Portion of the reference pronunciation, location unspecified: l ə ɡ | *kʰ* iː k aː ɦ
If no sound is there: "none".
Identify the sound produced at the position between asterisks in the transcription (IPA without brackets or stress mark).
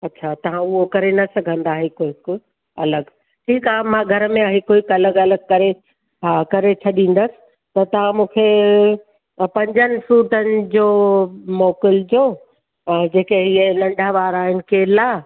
ʈʰ